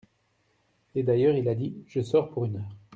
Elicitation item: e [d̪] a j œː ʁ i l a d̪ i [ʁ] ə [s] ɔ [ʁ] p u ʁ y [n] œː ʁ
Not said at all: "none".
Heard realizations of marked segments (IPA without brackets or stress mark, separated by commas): d̪, ʒ, s, ʁ, n